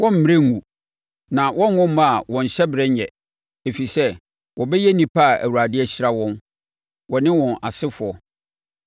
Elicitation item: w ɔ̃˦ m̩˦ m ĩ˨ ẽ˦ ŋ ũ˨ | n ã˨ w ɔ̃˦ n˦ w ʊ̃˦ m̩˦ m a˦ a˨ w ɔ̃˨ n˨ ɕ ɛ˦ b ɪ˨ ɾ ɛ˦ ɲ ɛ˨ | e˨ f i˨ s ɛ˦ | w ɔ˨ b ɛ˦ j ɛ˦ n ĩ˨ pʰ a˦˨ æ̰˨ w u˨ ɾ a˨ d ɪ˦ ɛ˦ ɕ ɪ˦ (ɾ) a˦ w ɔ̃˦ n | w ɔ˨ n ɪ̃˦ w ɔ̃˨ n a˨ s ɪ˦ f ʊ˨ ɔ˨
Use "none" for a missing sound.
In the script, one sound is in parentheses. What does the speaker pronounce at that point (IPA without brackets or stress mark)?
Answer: ɾ